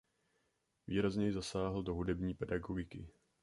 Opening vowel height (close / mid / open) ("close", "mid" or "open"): close